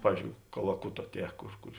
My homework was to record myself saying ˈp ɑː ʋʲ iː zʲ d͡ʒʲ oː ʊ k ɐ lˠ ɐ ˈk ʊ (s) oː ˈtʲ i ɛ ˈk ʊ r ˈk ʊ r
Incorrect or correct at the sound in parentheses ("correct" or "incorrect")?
incorrect